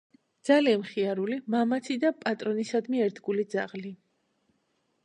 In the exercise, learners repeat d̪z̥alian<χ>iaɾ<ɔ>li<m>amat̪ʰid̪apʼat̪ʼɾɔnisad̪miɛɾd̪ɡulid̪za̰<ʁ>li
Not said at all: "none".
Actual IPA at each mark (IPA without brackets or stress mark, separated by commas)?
χ, u, m, ʁ